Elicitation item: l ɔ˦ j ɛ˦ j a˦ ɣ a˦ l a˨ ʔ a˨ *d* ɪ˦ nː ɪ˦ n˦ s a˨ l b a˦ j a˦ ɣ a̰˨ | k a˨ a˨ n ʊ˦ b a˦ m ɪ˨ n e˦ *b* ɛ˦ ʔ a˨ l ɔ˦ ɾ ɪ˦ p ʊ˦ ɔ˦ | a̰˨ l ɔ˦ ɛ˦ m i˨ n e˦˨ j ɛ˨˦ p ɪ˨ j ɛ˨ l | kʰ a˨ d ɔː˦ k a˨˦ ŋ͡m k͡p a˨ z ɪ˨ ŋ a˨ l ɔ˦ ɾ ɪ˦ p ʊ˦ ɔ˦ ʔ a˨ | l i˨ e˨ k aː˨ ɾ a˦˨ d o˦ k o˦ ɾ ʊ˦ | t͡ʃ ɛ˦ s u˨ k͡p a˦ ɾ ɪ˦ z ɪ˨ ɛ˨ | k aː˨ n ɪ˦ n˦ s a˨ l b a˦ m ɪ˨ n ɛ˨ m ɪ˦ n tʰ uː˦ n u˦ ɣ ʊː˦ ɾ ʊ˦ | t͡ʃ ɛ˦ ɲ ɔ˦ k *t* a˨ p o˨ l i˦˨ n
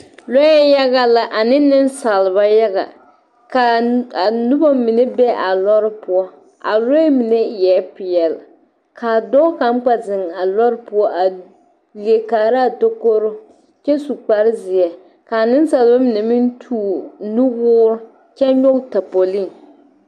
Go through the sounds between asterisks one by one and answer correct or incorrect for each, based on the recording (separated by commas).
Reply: incorrect, correct, correct